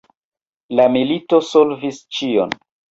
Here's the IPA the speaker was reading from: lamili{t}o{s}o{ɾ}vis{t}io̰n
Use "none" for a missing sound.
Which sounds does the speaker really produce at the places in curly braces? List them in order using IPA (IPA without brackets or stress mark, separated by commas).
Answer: t, s, l, t͡ʃ